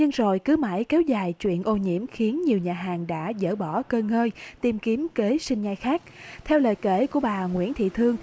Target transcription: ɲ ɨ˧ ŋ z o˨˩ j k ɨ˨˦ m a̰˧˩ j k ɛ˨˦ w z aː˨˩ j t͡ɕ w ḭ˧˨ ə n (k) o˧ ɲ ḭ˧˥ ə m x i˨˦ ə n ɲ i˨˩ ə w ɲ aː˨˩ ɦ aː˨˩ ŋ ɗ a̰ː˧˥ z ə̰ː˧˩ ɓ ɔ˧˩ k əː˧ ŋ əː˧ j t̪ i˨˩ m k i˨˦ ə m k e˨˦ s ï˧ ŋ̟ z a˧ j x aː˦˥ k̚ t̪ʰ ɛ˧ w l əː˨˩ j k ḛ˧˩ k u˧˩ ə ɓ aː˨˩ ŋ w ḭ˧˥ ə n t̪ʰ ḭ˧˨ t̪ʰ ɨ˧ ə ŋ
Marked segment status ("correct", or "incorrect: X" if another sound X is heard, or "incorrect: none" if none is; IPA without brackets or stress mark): incorrect: ʔ